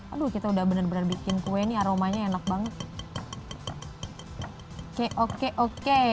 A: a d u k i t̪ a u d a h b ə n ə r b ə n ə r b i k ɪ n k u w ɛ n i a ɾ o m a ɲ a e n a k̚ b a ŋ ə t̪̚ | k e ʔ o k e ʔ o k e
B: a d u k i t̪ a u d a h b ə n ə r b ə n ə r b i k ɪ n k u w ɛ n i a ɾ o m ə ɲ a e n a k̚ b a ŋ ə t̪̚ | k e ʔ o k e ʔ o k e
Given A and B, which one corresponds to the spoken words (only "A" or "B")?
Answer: A